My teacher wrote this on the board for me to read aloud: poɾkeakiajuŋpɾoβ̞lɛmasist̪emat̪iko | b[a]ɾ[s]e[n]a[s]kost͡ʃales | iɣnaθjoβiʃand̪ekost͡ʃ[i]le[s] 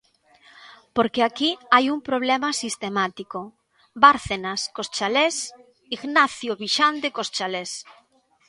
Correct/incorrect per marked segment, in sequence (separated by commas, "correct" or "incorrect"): correct, incorrect, correct, correct, incorrect, correct